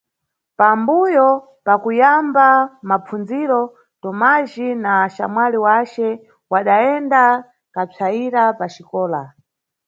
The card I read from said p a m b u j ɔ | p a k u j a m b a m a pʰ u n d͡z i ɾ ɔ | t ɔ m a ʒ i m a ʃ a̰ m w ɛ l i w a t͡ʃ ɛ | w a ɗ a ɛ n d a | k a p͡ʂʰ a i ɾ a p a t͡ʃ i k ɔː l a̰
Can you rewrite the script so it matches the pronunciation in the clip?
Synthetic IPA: p a m b u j ɔ | p a k u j a m b a m a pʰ u n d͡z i ɾ ɔ | t ɔ m a ʒ i n a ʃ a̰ m w a l i w a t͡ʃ ɛ | w a ɗ a ɛ n d a | k a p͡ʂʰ a i ɾ a p a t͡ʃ i k ɔː l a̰